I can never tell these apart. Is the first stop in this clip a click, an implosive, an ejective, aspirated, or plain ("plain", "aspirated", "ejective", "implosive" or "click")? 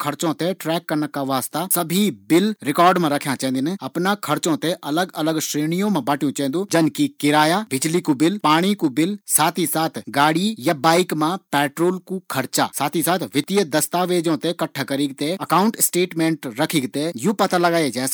aspirated